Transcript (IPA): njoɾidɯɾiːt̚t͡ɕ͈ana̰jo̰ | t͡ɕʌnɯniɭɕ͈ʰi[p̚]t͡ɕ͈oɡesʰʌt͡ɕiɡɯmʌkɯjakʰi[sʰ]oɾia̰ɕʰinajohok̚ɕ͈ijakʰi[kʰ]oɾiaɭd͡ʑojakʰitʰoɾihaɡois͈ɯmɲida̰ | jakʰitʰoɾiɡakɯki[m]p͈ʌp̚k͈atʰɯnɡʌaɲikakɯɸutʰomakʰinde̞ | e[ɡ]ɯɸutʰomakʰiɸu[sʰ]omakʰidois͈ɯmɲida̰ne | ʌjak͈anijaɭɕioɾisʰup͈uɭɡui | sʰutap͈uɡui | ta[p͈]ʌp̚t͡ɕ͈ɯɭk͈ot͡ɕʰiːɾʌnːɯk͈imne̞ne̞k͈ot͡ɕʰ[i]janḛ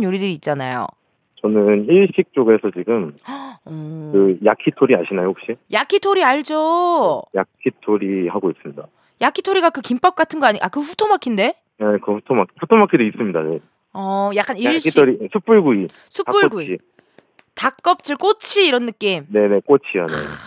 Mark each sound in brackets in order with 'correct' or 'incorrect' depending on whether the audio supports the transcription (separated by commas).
incorrect, incorrect, incorrect, correct, incorrect, incorrect, incorrect, correct